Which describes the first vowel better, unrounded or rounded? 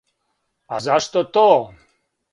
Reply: unrounded